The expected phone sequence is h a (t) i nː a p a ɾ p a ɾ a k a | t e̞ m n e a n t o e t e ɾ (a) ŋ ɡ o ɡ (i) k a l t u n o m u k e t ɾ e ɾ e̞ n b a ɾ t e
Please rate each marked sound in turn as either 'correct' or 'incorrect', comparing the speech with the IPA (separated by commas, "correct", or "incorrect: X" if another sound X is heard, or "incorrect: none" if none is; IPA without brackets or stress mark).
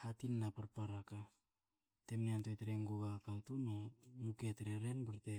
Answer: correct, incorrect: e, incorrect: a